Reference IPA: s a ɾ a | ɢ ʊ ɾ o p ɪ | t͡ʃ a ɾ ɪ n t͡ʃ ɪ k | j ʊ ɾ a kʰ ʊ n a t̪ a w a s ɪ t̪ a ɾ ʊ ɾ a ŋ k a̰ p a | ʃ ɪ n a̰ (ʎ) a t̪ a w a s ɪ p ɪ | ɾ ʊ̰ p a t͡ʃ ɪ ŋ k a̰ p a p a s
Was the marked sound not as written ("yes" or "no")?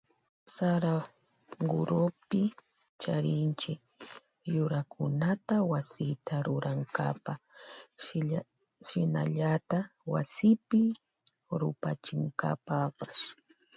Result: no